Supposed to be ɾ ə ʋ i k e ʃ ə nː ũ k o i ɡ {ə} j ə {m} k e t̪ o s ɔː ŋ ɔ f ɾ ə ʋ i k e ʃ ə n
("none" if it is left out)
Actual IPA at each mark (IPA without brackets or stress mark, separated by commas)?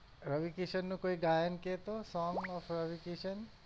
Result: a, n